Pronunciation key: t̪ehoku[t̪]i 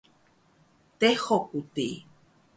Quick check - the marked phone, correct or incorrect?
correct